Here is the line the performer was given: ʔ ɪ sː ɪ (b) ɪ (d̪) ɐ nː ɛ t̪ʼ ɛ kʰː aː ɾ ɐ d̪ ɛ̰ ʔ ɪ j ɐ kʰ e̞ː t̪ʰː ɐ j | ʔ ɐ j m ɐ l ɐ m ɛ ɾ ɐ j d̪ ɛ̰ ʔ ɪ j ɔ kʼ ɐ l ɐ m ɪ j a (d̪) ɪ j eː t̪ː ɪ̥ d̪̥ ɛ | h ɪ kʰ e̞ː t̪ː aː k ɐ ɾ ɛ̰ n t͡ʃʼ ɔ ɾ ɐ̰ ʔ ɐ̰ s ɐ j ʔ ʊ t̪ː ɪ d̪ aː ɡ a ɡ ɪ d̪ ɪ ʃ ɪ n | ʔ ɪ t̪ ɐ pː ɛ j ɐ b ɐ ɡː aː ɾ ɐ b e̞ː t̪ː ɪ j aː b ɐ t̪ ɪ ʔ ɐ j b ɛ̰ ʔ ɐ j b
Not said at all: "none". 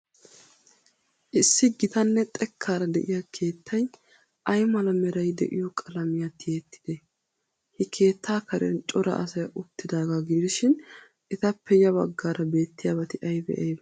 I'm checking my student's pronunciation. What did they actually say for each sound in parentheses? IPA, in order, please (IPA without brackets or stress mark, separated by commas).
ɡ, t̪, t̪